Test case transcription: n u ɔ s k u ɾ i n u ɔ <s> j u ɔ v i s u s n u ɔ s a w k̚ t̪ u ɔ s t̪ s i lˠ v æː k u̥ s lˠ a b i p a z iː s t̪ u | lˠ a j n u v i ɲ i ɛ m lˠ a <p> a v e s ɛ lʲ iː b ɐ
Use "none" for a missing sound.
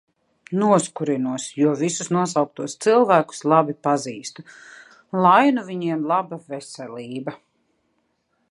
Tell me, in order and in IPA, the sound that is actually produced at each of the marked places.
s, b

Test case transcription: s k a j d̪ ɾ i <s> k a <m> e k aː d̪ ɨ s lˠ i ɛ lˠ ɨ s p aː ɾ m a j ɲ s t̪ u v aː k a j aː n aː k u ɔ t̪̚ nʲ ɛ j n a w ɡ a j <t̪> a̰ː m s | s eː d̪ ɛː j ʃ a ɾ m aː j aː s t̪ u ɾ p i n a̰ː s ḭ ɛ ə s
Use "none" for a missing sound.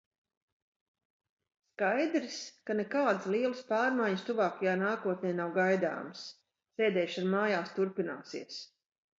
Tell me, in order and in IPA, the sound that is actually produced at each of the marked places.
s, n, d̪

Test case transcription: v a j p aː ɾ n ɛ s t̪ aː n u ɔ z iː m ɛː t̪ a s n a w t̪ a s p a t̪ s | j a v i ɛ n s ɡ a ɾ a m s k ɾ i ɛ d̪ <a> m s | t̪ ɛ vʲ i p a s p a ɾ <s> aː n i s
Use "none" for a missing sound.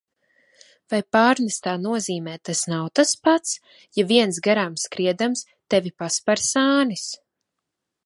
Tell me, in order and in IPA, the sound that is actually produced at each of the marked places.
a, s

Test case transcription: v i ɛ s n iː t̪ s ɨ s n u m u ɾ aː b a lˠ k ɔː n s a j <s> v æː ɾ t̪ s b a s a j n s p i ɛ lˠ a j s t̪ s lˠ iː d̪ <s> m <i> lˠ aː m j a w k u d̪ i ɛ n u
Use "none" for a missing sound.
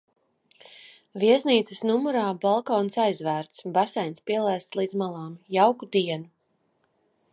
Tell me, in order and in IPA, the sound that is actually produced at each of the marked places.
z, z, a

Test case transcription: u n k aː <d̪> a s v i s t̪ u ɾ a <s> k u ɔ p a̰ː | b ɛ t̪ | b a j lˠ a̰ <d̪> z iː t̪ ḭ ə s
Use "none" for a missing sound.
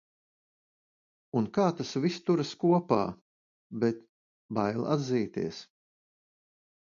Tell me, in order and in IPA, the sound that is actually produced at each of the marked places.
t̪, s, d̪

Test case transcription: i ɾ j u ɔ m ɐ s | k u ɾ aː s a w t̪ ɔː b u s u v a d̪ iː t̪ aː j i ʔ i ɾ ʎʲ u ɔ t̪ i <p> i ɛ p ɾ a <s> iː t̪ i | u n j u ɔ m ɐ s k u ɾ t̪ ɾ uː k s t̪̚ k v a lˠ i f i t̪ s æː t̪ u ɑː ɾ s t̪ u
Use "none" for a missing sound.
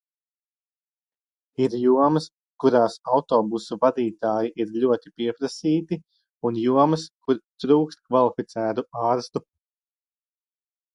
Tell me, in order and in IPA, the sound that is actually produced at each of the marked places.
p, s

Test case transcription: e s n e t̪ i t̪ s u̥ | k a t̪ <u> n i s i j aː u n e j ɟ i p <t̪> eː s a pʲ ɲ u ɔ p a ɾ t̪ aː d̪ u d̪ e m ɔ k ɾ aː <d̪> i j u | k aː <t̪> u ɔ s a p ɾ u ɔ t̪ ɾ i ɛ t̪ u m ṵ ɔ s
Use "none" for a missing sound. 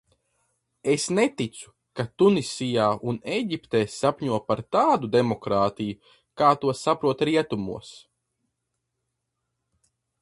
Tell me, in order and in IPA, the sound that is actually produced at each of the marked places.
u, t̪, t̪, t̪

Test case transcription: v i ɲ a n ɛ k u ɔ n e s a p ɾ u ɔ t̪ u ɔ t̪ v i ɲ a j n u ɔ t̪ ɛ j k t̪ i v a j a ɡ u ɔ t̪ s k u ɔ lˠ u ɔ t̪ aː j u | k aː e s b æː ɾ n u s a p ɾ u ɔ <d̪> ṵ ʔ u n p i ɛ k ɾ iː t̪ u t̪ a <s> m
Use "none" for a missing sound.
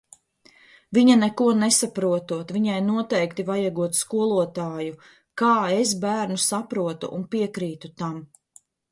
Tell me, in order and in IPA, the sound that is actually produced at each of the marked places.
t̪, none

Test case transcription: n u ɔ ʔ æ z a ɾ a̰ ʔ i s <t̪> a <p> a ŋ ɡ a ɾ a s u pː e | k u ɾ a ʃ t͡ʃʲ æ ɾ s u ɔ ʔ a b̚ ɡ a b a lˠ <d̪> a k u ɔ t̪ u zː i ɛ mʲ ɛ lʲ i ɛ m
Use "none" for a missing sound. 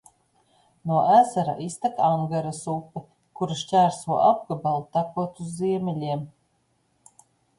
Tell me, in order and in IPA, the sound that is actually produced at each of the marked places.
t̪, k, t̪

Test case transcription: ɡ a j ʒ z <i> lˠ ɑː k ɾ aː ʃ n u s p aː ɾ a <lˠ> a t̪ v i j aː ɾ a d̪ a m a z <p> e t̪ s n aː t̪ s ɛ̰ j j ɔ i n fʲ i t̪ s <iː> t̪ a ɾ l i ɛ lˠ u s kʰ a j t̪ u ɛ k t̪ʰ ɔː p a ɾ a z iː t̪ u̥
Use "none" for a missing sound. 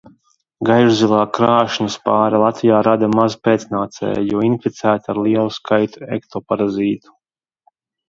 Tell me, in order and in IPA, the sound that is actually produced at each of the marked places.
i, lˠ, p, æː

